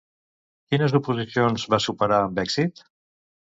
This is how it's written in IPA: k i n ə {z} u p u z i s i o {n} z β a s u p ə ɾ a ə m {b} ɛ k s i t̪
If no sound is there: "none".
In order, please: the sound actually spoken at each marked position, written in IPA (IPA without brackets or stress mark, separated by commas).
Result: z, n, b